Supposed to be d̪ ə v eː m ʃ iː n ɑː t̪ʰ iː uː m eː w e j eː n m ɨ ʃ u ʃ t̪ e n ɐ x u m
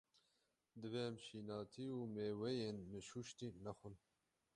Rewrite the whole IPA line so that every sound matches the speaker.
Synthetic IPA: d̪ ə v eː m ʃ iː n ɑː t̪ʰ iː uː m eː w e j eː n m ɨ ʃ u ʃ t̪ i n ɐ x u n